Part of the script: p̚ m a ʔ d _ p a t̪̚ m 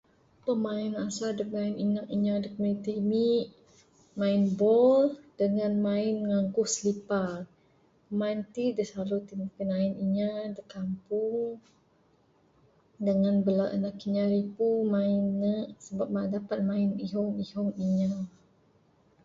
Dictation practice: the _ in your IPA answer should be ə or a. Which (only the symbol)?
a